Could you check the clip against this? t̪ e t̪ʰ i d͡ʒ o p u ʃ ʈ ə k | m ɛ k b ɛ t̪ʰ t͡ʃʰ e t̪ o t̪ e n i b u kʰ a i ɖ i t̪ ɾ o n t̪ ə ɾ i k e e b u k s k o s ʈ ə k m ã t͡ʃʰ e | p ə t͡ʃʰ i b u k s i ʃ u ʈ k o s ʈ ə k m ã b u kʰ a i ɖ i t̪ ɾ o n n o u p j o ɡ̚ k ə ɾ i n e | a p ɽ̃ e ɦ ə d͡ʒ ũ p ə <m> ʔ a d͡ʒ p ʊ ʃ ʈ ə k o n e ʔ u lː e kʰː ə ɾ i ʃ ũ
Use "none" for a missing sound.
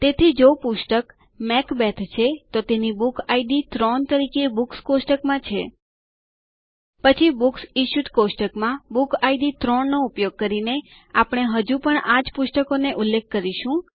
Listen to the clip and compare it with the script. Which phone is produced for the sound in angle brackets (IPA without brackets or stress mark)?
ɳ